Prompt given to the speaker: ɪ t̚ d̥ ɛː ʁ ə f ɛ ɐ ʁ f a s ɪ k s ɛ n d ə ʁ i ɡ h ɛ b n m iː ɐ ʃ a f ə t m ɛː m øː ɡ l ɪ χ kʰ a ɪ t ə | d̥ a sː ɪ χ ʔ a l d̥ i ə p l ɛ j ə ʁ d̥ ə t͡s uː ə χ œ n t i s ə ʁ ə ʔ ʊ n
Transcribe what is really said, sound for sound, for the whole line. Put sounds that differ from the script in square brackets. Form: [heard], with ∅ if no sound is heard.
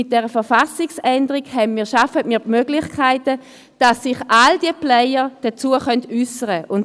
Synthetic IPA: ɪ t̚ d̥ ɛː ʁ ə f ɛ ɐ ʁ f a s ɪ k s ɛ n d ə ʁ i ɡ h ɛ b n m iː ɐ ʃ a f ə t m [iː] m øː ɡ l ɪ χ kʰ a ɪ t ə | d̥ a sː ɪ χ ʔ a l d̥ i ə p l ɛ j ə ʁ d̥ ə t͡s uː ə χ œ n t [y] s ə ʁ ə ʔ ʊ n